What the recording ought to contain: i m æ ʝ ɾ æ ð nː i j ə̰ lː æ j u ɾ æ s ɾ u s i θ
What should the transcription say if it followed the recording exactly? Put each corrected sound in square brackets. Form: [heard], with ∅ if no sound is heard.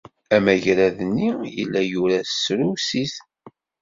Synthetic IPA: [æ] m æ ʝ ɾ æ ð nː i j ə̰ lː æ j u ɾ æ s ɾ u s i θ

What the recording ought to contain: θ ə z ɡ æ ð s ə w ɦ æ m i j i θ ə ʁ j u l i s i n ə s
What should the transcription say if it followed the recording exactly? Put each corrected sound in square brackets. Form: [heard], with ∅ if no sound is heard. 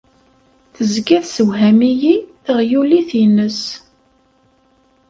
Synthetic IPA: θ ə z ɡ æ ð s ə w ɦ æ m i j i θ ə ʁ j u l i [θ] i n ə s

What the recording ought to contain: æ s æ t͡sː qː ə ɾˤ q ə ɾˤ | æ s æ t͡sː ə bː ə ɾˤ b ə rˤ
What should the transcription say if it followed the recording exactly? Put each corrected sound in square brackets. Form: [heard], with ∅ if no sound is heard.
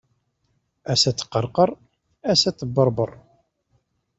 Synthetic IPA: æ s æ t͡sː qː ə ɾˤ q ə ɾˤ | æ s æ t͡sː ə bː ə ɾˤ b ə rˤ

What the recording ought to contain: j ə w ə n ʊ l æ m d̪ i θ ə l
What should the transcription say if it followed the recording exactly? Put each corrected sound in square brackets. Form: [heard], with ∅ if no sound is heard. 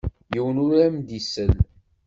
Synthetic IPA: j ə w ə n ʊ [ɾ] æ m d̪ i [s] ə l

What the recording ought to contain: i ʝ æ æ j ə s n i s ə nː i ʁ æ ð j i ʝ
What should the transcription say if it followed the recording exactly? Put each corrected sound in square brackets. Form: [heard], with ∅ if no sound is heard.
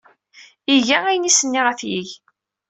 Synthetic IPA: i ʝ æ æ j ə [∅] n i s ə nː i ʁ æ [θ] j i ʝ

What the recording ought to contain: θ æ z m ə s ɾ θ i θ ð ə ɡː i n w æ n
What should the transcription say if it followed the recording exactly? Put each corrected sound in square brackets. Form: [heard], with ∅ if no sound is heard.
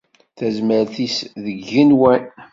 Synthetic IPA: θ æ z m ə [∅] ɾ θ i [s] ð ə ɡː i n w æ n

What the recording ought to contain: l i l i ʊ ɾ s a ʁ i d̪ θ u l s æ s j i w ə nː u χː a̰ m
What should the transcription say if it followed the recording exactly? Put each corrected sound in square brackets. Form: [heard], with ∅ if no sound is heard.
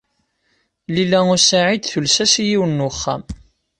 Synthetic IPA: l i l [æ] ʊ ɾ s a [ʕ] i d̪ θ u l s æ s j i w ə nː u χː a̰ m

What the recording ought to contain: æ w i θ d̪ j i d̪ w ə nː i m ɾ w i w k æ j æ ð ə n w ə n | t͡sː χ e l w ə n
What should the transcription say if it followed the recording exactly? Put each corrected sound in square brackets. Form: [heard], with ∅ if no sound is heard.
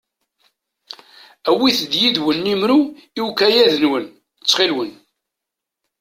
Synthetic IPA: æ w i θ d̪ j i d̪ w ə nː i m ɾ [u] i w k æ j æ ð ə n w ə n | t͡sː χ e l w ə n

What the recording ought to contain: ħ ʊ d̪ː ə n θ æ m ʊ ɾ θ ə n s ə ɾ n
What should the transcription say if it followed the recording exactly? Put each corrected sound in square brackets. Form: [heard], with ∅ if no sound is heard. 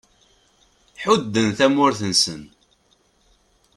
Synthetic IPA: ħ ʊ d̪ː ə n θ æ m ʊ ɾ θ ə n s ə [∅] n

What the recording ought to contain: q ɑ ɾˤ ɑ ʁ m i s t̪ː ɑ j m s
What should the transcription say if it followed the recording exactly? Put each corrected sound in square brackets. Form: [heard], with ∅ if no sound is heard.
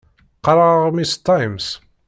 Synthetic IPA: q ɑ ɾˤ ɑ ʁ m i s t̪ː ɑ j m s

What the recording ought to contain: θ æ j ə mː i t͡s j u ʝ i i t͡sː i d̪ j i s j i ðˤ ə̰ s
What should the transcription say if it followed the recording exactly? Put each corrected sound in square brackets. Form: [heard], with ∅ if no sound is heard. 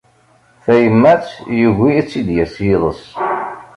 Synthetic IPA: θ æ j ə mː [æ] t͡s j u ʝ i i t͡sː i d̪ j [æ] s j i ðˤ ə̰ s

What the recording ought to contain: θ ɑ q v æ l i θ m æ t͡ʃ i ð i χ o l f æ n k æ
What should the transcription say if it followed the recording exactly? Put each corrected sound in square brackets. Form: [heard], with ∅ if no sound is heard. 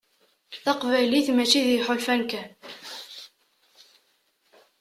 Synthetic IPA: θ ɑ q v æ l i θ m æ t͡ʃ i ð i [ħ] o l f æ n k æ

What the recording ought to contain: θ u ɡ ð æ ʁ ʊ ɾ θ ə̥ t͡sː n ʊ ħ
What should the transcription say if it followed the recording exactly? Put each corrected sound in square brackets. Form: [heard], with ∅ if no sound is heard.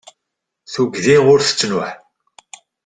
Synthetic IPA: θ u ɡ ð [i] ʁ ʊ ɾ θ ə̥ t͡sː n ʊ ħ

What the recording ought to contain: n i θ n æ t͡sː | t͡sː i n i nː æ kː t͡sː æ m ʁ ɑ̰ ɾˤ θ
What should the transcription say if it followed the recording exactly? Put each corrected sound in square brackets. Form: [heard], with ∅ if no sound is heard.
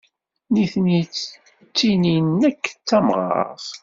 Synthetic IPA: n i θ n [i] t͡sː | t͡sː i n i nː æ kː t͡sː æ m ʁ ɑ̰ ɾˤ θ

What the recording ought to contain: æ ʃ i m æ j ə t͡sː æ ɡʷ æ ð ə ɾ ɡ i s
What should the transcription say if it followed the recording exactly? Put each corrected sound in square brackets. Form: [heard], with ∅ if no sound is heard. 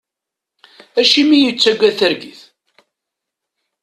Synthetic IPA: æ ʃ i m [i] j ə t͡sː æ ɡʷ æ [θ] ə ɾ ɡ i [θ]

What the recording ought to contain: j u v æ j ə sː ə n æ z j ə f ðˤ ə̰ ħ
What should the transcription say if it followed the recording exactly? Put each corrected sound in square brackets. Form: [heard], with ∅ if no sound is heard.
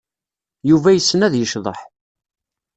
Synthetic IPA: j u v æ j ə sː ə n æ [ð] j ə [ʃ] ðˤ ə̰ ħ

